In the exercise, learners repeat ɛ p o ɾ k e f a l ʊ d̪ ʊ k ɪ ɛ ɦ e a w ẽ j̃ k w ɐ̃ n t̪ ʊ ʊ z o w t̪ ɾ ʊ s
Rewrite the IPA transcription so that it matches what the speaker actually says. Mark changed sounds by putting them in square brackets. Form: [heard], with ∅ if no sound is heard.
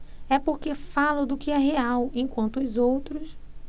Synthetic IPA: ɛ p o ɾ k e f a l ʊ d̪ ʊ k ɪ ɛ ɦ e a w ẽ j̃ k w ɐ̃ n t̪ ʊ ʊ z o w t̪ ɾ ʊ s